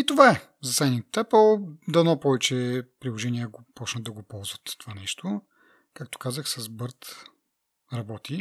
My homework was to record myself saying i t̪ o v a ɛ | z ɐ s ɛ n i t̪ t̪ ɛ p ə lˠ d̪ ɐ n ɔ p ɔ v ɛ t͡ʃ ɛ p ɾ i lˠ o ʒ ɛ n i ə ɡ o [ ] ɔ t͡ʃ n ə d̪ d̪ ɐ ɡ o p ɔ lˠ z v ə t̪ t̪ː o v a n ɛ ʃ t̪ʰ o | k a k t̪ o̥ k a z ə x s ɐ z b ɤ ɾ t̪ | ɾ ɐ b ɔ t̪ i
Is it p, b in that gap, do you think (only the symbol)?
p